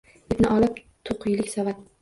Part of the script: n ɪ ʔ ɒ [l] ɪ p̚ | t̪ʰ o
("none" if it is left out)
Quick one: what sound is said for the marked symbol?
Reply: l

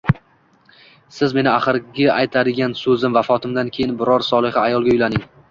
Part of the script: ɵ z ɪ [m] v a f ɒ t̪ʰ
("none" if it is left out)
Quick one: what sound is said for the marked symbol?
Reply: m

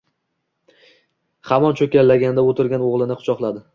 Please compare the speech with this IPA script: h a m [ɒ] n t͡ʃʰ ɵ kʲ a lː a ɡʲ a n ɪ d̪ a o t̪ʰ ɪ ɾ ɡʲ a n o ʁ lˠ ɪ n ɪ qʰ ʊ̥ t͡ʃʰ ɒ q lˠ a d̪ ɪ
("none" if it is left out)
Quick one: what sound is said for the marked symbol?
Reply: ɒ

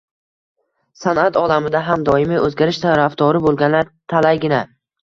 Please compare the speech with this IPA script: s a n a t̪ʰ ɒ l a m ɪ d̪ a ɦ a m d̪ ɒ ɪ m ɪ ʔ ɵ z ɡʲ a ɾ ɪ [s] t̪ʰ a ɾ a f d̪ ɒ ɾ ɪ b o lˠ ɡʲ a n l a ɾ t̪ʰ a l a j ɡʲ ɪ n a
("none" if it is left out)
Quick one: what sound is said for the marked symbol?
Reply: ʃ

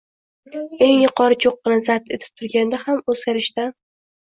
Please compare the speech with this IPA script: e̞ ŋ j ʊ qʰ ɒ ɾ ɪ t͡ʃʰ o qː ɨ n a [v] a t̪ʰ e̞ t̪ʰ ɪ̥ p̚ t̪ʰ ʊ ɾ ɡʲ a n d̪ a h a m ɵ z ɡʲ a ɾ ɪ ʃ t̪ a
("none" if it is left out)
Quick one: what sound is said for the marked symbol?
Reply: z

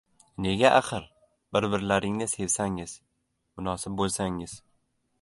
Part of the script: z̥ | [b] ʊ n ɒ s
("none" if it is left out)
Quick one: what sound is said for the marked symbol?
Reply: m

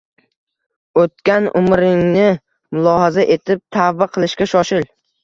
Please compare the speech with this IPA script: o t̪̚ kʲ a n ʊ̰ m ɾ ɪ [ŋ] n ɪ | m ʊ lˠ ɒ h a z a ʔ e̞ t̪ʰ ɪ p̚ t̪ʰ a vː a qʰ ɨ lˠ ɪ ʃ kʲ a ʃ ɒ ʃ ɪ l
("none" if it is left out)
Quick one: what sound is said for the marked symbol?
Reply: ŋ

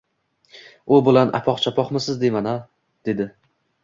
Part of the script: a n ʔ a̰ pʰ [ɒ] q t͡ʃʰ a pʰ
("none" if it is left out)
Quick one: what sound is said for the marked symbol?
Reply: ɒ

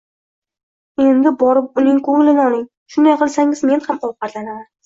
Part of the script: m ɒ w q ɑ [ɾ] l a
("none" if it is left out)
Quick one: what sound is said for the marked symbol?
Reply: ɾ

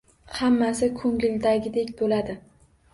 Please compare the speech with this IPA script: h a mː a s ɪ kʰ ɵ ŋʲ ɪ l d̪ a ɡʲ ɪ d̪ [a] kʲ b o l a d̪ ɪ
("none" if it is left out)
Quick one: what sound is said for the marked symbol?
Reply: e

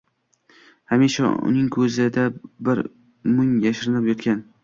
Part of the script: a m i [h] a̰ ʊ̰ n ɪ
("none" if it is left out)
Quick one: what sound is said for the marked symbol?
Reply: ʃ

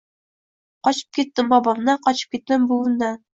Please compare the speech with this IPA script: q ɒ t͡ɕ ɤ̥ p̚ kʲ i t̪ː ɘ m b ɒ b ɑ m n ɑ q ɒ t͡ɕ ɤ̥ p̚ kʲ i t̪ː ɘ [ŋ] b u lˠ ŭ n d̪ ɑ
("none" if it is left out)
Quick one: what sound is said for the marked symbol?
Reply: m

